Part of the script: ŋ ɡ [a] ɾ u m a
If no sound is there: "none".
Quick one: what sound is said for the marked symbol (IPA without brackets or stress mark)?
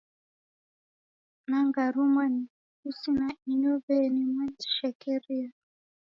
a